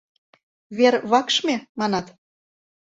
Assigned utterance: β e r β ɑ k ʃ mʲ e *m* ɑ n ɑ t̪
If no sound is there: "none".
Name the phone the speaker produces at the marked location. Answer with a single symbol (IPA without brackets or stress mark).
m